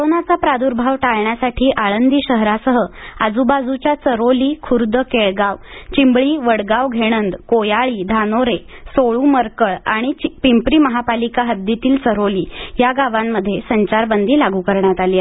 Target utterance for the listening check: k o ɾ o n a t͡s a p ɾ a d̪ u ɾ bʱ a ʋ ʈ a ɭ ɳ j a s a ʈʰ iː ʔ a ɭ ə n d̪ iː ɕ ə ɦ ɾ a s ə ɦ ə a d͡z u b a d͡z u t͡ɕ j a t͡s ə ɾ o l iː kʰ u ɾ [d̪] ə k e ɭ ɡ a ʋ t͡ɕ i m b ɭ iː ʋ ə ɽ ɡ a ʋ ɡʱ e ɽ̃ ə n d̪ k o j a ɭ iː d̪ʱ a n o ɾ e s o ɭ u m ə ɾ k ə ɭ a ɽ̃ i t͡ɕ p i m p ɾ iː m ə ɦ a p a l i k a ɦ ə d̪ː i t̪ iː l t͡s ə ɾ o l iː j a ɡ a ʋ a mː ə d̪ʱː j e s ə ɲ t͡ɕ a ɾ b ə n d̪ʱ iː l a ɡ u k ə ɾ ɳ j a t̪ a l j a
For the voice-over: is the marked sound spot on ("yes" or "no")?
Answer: yes